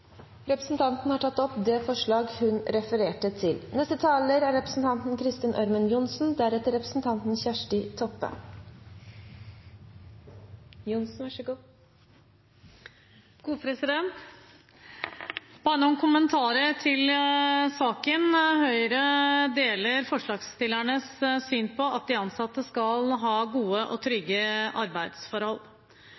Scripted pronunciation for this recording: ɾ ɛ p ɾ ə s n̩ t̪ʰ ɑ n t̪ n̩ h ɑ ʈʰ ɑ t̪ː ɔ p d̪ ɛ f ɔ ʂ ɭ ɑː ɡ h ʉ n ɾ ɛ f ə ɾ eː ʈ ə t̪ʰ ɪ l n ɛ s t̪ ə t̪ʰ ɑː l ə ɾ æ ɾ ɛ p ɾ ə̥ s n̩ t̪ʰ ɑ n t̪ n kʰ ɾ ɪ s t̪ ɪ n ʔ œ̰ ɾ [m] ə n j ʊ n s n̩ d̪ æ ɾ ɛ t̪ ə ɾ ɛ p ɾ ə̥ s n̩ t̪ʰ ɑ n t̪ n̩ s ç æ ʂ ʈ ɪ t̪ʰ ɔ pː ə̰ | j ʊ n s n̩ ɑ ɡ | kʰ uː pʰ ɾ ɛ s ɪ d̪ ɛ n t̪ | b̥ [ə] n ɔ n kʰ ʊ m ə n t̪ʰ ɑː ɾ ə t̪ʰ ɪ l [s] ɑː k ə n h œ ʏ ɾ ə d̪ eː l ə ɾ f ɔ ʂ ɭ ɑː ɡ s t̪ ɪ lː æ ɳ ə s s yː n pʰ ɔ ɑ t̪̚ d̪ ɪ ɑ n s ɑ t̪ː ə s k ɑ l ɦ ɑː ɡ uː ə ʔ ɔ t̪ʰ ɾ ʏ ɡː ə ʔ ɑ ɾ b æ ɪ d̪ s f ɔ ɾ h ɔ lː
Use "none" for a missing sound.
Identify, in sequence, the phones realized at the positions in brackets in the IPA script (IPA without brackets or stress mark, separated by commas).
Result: m, ɑ, s